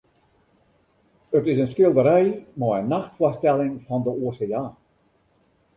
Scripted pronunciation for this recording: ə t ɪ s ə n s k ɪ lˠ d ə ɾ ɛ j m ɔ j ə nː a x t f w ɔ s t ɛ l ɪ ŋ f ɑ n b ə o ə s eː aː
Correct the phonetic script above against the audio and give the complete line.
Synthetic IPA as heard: ə t ɪ s ə n s k ɪ lˠ d ə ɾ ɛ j m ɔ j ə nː a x t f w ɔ s t ɛ l ɪ ŋ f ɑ n d ə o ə s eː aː